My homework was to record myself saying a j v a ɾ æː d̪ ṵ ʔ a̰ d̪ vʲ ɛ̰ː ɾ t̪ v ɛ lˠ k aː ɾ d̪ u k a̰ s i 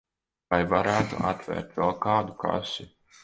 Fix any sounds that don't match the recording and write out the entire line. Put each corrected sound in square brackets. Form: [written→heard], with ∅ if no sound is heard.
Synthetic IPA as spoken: a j v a ɾ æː [d̪→t̪] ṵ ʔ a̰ [d̪→t̪] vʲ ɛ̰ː ɾ t̪ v ɛ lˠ k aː [ɾ→∅] d̪ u k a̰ s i

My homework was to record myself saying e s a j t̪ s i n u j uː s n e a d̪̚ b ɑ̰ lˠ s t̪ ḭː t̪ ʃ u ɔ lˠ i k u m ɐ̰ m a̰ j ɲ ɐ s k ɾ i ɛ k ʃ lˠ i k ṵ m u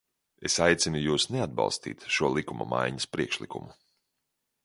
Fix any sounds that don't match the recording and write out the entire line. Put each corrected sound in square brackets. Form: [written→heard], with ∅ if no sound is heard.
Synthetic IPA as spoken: e s a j t̪ s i n u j uː s n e a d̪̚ b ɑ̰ lˠ s t̪ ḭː t̪ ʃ u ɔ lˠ i k u m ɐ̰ m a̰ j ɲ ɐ s [k→p] ɾ i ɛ k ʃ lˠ i k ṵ m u

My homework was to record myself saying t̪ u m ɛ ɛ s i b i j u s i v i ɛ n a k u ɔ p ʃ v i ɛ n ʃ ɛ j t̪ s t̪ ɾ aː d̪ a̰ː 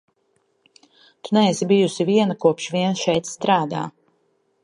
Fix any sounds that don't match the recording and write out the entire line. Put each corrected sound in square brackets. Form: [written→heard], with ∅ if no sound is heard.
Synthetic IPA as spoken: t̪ u [m→n] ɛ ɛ s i b i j u s i v i ɛ n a k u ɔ p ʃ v i ɛ n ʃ ɛ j t̪ s t̪ ɾ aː d̪ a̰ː

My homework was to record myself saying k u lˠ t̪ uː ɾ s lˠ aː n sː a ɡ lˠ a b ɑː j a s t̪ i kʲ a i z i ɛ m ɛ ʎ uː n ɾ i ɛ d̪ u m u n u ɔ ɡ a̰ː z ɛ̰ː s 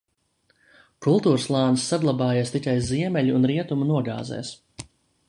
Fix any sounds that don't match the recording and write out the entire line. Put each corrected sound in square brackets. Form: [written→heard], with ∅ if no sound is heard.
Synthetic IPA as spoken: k u lˠ t̪ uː ɾ s lˠ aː n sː a ɡ lˠ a b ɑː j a s t̪ i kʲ a [i→j] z i ɛ m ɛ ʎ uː n ɾ i ɛ [d̪→t̪] u m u n u ɔ ɡ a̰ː z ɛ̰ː s

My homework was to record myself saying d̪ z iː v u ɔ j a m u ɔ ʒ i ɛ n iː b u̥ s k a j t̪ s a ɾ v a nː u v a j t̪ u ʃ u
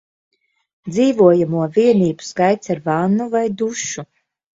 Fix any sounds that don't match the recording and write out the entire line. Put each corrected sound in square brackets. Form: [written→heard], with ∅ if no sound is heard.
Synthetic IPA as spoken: d̪ z iː v u ɔ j a m u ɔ [ʒ→v] i ɛ n iː b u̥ s k a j t̪ s a ɾ v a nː u v a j [t̪→d̪] u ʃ u

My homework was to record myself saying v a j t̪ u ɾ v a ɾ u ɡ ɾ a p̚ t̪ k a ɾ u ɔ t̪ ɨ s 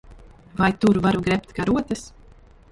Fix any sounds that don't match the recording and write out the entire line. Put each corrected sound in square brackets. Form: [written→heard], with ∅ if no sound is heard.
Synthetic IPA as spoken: v a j t̪ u ɾ v a ɾ u ɡ ɾ [a→ɛ] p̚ t̪ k a ɾ u ɔ t̪ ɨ s

